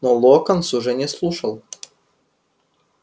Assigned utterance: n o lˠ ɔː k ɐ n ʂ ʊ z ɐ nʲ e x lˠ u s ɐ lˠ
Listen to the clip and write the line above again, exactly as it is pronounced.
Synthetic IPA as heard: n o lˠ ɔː k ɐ n s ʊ ʒ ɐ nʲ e s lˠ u ʃ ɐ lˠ